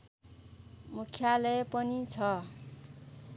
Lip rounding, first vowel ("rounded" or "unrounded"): rounded